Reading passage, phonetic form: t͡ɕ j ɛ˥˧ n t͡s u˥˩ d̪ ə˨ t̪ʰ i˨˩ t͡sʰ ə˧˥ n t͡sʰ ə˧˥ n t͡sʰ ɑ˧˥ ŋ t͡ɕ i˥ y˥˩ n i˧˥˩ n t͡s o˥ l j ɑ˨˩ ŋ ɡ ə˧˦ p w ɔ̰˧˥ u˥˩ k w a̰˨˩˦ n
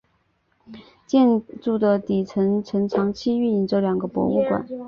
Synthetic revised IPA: t͡ɕ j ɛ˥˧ n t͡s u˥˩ d̪ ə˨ t̪ i˨˩ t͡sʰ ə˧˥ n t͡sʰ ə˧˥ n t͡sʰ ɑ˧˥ ŋ t͡ɕʰ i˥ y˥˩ n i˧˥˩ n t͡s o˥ l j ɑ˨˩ ŋ ɡ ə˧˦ p w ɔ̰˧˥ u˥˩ k w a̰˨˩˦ n